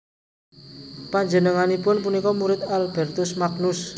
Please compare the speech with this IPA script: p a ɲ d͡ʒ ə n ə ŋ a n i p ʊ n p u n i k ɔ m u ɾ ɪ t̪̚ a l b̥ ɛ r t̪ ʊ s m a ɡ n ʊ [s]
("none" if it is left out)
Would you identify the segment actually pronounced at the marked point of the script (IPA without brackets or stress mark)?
s